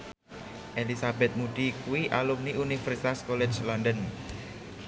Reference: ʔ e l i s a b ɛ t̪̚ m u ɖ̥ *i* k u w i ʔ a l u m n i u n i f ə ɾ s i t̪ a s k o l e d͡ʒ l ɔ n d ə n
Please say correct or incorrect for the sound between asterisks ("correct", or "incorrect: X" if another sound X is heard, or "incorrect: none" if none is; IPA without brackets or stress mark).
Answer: correct